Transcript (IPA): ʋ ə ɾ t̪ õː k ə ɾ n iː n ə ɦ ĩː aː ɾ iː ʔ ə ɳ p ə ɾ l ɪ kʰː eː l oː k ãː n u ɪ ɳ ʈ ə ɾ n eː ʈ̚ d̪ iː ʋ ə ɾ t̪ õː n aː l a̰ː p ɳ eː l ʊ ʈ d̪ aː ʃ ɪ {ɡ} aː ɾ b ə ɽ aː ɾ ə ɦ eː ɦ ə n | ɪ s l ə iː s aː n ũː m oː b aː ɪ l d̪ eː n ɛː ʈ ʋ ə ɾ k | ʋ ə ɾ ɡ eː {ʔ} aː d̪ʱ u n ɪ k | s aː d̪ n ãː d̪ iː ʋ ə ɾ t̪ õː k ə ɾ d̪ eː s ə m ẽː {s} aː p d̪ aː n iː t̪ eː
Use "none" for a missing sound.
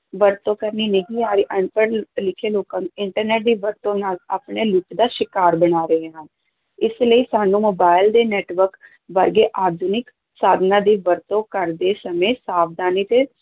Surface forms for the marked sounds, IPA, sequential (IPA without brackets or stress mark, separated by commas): k, ʔ, s